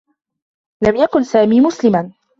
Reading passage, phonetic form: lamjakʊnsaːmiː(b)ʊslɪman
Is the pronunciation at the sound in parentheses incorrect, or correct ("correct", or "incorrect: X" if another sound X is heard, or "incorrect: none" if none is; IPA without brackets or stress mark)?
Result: incorrect: m